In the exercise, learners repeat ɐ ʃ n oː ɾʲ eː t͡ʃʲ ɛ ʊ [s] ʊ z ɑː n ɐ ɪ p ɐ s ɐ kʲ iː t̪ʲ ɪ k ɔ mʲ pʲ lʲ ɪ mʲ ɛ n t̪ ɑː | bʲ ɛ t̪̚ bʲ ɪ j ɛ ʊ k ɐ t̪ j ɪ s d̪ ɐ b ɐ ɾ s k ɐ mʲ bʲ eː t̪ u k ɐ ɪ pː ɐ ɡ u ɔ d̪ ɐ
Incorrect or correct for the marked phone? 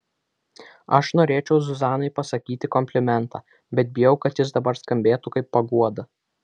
incorrect: z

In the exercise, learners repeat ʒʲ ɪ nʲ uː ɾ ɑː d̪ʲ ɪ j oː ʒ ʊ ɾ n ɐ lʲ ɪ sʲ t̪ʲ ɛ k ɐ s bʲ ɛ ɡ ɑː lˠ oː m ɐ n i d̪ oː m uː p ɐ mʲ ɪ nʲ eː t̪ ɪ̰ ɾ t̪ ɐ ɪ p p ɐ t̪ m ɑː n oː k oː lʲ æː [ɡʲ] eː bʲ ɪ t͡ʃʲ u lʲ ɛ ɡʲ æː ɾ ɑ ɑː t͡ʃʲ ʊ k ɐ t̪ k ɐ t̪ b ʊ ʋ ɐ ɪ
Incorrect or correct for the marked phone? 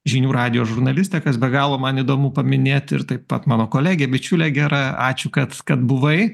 correct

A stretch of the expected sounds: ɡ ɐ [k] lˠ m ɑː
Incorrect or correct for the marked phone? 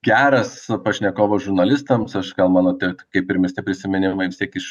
incorrect: none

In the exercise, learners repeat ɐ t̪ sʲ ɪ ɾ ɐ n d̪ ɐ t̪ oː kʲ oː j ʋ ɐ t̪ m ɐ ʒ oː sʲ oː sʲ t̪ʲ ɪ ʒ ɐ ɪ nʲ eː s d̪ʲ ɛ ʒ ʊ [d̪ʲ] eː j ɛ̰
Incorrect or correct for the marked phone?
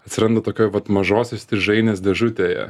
incorrect: t̪ʲ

